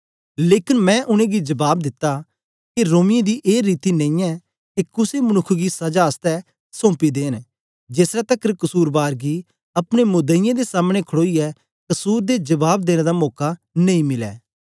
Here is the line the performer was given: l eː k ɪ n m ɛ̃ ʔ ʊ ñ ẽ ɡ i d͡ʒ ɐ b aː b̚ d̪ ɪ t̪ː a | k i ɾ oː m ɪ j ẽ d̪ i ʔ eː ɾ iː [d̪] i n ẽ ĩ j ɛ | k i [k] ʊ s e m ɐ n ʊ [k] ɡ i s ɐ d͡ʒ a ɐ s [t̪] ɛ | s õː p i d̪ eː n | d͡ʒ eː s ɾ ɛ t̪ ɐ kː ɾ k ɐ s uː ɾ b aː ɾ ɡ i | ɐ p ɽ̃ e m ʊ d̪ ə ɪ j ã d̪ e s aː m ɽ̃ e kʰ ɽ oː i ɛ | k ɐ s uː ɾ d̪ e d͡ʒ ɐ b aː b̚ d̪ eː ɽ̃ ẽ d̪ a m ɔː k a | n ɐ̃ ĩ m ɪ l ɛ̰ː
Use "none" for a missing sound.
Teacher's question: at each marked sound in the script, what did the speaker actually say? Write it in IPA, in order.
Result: t̪, k, kʰ, t̪

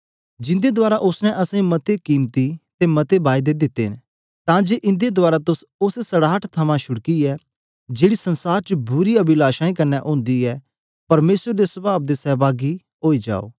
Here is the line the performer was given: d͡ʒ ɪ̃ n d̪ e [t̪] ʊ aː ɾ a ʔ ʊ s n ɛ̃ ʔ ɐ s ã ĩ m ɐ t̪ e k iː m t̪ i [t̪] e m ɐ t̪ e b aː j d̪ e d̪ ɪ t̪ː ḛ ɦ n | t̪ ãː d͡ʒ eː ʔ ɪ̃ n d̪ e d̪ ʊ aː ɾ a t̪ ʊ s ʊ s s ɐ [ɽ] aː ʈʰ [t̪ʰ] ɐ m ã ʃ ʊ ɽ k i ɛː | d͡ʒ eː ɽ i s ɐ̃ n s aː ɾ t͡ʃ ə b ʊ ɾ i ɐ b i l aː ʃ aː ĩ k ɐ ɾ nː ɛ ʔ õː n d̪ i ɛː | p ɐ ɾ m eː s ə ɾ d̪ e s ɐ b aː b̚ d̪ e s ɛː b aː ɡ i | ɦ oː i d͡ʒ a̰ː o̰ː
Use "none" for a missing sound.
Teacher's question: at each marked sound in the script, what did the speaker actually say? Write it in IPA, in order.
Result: d̪, t̪, ɽ, t̪ʰ

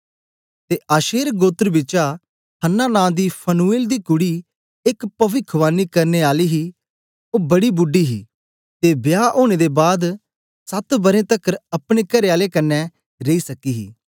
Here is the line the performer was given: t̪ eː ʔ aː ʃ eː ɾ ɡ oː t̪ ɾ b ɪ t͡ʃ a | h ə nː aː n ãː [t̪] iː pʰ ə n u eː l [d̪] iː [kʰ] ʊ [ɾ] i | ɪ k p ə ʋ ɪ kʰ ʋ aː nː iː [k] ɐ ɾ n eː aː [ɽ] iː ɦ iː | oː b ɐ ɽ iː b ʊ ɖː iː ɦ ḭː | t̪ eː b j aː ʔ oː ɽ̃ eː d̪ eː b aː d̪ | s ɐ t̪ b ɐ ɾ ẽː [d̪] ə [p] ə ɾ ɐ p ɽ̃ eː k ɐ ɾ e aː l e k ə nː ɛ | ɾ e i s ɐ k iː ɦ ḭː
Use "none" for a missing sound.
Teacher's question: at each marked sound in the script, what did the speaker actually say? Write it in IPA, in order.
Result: d̪, d̪, k, ɽ, k, l, t̪, k

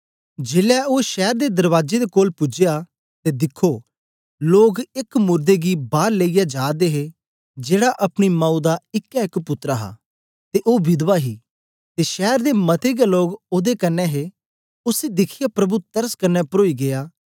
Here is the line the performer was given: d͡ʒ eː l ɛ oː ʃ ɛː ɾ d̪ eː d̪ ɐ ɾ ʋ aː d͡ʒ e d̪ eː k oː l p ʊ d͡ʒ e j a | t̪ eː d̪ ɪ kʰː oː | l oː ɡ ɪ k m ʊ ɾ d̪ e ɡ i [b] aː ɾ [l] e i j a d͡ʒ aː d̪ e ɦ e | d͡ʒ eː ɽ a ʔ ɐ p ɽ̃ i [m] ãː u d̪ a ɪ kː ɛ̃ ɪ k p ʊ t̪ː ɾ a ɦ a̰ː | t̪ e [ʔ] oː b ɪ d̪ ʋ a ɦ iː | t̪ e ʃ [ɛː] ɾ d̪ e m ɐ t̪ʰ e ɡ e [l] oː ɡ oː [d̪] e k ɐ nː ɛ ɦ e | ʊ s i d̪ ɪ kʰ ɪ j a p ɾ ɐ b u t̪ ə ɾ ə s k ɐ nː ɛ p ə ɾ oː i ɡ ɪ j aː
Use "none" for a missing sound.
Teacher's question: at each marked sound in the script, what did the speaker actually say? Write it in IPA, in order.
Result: b, l, m, ʔ, ɛː, l, d̪

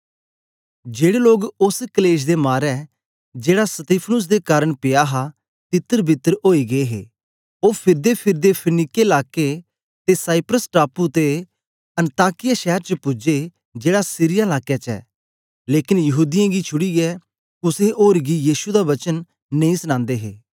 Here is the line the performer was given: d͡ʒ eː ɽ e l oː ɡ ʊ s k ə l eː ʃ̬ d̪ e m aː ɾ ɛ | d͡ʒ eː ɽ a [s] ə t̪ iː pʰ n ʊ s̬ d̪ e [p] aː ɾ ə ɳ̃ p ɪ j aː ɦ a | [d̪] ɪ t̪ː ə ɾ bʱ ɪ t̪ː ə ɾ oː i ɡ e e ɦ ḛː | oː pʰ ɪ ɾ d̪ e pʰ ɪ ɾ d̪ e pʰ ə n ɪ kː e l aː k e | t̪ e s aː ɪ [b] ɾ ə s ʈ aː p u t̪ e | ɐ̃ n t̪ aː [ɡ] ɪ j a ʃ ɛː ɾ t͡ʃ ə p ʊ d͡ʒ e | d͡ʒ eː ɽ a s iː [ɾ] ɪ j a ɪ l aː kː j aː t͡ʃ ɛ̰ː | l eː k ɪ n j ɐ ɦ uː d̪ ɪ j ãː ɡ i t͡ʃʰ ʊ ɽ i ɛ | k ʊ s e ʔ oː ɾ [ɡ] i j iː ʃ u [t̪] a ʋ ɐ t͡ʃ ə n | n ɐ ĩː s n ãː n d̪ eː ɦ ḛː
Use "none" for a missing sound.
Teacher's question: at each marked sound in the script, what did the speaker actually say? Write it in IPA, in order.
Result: s, k, t̪, p, k, ɾ, ɡ, d̪

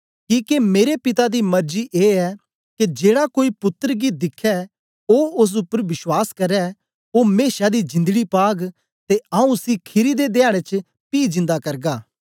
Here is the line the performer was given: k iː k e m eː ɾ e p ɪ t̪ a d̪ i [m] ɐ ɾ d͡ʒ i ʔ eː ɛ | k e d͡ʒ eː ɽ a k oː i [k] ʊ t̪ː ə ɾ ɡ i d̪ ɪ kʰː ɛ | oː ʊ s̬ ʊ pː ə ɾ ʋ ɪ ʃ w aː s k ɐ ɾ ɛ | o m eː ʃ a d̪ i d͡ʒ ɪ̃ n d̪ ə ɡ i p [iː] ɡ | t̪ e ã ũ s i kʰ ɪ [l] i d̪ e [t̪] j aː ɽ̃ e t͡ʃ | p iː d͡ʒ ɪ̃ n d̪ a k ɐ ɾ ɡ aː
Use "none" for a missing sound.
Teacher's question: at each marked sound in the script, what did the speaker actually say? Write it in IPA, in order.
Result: m, p, aː, ɾ, d̪

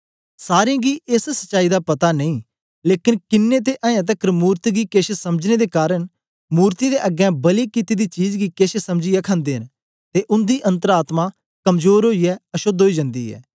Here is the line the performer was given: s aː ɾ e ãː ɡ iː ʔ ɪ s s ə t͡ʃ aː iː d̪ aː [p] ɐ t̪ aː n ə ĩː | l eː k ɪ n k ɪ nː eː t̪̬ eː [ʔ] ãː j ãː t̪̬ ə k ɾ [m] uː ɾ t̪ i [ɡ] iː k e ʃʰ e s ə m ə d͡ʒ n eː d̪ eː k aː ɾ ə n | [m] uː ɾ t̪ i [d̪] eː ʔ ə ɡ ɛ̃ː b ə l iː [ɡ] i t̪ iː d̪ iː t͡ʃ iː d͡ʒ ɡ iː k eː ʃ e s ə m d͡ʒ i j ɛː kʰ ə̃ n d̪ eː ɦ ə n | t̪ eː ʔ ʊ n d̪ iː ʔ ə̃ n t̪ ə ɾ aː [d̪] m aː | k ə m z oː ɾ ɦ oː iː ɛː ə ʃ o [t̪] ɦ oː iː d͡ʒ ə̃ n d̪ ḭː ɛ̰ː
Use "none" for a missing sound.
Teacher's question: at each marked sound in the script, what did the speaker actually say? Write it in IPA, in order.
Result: p, ʔ, m, ɡ, m, d̪, k, t̪, d̪

